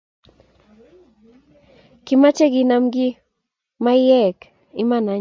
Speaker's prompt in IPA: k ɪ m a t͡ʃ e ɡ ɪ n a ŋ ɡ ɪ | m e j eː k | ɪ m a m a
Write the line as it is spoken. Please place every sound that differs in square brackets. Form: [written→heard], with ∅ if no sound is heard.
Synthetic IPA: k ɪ m a t͡ʃ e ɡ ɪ n a [ŋ→m] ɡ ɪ | m [e→a] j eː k | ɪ m a [m→n] a